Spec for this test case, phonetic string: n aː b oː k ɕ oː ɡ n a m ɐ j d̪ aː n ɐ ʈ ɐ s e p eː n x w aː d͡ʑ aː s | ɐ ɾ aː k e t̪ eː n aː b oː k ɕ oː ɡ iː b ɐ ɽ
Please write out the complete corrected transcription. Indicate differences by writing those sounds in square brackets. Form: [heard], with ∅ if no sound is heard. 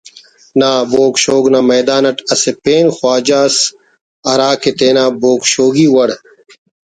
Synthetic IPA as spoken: n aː b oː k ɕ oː ɡ n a m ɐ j d̪ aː n ɐ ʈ ɐ s e p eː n x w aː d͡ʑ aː s | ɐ ɾ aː k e t̪ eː n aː b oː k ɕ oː ɡ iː [w] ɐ ɽ